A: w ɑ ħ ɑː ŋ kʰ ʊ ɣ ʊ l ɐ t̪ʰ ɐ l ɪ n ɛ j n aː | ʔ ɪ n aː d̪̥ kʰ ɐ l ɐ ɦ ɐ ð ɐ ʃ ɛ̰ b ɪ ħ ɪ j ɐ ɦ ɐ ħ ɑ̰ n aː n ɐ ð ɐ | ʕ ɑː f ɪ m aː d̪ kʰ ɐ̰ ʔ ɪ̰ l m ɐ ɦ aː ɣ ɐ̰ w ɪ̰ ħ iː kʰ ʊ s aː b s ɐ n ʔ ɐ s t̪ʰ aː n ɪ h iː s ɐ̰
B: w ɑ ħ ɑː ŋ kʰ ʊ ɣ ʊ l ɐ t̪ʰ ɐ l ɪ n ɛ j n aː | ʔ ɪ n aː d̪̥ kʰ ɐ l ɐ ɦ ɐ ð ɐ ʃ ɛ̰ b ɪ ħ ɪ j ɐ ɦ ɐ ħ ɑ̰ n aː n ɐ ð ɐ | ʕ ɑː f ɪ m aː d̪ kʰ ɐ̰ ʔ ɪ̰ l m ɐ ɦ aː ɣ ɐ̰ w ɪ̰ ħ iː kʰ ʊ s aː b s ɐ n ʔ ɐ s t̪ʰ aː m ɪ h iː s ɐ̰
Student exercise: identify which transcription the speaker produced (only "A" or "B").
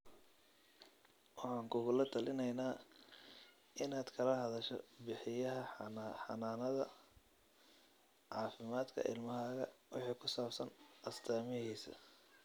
B